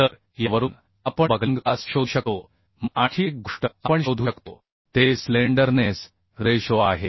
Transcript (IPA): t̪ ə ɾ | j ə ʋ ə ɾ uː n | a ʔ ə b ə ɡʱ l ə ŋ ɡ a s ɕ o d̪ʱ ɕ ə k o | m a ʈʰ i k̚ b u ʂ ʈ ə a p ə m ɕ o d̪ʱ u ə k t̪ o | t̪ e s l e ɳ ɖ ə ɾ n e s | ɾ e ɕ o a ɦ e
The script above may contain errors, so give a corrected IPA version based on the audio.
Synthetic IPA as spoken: t̪ ə ɾ | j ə ʋ ə ɾ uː n | a p ə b ə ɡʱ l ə ŋ ɡ a s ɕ o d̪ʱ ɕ ə k o | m a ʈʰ i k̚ ɡ u ʂ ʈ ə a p ə ɳ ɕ o d̪ʱ u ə k t̪ o | t̪ e s l e ɳ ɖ ə ɾ n e s | ɾ e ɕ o a ɦ e